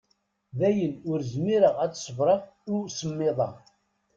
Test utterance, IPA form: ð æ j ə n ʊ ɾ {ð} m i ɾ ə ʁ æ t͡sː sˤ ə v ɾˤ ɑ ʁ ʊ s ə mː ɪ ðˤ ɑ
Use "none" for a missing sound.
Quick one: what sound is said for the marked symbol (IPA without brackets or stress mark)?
z